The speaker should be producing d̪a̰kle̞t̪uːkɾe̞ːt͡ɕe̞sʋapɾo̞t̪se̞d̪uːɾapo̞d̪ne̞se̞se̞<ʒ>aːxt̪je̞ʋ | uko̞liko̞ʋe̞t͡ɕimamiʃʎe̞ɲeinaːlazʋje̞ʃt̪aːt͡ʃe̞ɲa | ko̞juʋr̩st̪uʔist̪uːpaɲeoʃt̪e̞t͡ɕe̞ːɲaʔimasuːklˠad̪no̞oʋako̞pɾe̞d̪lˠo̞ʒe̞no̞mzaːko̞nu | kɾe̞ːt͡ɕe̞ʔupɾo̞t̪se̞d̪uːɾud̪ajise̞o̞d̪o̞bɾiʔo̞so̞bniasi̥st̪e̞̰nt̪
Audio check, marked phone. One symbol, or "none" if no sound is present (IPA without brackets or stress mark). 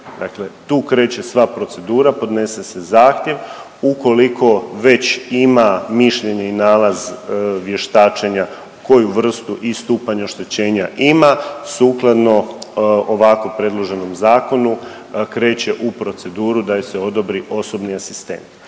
z